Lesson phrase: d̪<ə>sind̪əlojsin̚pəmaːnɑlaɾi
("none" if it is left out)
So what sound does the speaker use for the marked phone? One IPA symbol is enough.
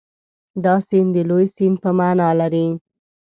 ɑ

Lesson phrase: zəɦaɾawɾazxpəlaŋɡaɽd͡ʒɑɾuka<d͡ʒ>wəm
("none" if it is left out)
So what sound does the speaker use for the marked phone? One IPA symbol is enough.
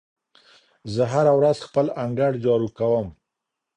none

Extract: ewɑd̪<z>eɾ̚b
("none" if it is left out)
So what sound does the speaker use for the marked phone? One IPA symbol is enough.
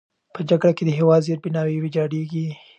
z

